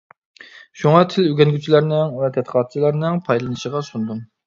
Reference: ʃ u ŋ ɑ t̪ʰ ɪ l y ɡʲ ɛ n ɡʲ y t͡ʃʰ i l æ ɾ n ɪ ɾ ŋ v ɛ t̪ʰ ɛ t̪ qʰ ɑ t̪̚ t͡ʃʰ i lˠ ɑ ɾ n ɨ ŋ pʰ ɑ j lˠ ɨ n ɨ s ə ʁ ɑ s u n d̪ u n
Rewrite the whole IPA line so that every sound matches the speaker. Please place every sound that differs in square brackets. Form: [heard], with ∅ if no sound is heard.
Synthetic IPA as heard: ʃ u ŋ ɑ t̪ʰ ɪ l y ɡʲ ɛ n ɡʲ y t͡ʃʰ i l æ ɾ n ɪ [∅] ŋ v ɛ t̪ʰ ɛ t̪ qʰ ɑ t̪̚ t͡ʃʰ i lˠ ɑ ɾ n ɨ ŋ pʰ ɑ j lˠ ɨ n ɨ [ʃ] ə ʁ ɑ s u n d̪ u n